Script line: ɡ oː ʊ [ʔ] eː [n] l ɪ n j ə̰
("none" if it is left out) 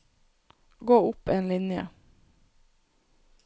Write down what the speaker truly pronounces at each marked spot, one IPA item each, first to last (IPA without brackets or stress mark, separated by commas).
p, n